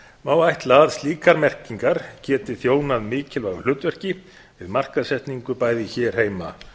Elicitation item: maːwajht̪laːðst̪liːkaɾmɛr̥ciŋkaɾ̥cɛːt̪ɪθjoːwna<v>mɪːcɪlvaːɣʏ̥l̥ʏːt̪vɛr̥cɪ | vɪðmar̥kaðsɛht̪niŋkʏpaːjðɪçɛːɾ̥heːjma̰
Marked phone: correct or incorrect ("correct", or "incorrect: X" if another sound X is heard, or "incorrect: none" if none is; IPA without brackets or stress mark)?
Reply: incorrect: ð